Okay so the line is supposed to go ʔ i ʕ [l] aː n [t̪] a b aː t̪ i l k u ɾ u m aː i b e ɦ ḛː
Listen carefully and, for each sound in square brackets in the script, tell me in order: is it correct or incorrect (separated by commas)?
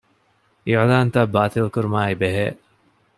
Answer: correct, correct